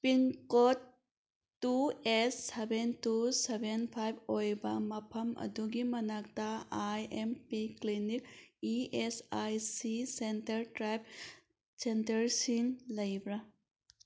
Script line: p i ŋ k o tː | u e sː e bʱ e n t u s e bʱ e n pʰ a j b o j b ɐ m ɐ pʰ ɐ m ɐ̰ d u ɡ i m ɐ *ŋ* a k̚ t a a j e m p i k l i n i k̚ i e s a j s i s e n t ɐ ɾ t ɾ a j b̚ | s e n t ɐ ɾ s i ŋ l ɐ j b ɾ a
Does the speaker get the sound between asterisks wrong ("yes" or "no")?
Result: yes